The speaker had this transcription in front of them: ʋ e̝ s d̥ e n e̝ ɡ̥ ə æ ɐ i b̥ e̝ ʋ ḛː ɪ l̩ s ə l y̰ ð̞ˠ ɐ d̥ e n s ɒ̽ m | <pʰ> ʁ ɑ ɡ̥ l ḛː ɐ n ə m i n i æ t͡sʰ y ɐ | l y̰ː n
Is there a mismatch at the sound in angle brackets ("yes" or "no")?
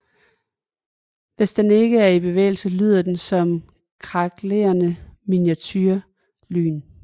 yes